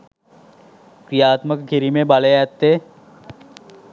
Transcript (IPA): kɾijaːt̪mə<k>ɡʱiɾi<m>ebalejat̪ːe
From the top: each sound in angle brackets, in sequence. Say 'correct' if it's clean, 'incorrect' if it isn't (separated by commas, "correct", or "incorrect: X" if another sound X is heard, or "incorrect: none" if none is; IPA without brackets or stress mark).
correct, correct